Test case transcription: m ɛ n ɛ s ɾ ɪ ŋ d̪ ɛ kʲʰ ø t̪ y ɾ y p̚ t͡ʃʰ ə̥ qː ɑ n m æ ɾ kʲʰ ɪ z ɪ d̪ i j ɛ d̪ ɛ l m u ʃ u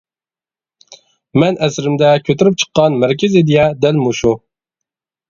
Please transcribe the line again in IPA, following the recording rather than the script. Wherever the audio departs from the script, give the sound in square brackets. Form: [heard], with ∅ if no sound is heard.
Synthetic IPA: m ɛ n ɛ s ɾ ɪ [m] d̪ ɛ kʲʰ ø t̪ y ɾ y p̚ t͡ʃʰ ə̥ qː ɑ n m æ ɾ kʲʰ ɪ z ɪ d̪ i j ɛ d̪ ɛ l m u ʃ u